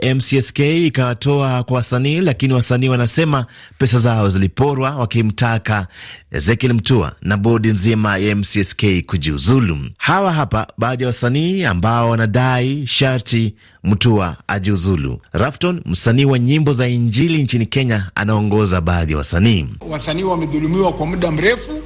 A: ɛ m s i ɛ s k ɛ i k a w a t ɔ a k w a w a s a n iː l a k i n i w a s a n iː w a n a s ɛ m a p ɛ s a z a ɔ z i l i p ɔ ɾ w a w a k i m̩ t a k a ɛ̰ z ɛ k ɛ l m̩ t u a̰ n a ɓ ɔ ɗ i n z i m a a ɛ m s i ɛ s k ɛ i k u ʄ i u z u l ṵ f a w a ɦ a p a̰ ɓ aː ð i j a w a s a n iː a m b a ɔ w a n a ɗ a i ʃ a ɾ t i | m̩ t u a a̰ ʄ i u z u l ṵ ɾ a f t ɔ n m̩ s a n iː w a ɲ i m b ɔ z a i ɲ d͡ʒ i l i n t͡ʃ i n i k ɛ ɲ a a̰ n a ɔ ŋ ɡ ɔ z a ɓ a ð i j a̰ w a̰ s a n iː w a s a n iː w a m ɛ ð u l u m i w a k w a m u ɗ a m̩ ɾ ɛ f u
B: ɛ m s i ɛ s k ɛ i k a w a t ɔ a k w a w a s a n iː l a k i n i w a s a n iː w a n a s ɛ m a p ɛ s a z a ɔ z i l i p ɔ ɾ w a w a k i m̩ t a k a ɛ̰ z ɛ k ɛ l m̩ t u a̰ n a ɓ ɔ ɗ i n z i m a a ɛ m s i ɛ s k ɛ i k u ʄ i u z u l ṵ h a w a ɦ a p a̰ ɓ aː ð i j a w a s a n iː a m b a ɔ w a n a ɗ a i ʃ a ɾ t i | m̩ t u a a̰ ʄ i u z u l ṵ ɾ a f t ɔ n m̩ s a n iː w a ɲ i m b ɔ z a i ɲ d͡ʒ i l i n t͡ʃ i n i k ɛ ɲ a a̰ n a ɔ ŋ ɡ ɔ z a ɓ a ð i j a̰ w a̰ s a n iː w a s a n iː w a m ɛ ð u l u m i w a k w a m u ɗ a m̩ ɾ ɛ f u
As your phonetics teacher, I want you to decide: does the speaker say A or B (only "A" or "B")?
B